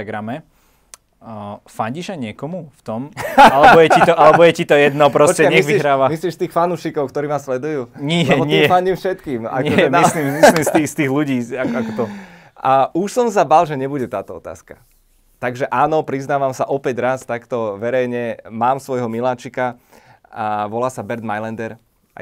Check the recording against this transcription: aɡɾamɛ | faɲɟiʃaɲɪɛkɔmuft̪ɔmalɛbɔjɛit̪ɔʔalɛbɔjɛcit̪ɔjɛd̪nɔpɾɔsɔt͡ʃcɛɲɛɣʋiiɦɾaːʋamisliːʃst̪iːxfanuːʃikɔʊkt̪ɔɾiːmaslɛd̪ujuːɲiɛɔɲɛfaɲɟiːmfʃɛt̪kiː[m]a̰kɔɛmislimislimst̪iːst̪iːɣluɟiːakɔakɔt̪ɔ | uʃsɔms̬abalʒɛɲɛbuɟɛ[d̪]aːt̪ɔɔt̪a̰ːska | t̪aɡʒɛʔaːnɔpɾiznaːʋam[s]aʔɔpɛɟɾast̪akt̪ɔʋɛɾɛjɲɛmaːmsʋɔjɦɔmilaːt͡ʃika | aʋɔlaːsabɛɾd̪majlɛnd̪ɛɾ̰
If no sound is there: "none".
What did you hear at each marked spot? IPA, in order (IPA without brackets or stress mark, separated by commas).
m, t̪, s